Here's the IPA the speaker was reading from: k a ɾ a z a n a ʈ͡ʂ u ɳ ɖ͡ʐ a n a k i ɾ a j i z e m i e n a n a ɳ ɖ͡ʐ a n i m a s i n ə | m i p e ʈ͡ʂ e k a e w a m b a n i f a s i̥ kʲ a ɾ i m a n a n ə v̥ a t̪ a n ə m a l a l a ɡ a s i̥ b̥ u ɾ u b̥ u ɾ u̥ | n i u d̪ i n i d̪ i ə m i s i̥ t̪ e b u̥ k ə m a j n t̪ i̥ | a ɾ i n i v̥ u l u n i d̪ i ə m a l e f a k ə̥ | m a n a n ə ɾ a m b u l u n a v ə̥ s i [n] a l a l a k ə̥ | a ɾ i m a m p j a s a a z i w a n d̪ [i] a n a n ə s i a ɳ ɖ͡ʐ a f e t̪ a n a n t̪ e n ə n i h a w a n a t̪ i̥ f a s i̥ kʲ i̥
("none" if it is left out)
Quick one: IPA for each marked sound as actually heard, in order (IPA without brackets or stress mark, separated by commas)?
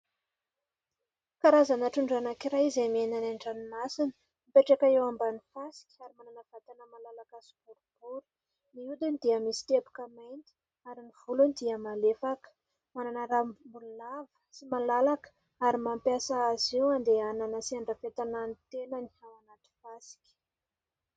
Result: m, e